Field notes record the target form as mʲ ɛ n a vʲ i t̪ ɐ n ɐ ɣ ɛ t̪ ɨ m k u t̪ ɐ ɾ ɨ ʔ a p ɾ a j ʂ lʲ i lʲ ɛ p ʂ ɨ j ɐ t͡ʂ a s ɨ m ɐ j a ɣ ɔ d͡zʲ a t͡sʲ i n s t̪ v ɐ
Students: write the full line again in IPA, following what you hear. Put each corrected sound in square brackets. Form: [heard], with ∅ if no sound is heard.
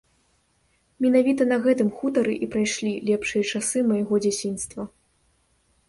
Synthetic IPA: mʲ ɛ n a vʲ i t̪ ɐ n ɐ ɣ ɛ t̪ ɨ m [x] u t̪ ɐ ɾ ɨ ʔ [i] p ɾ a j ʂ lʲ i lʲ ɛ p ʂ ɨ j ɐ t͡ʂ a s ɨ m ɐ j a ɣ ɔ d͡zʲ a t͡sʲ i n s t̪ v ɐ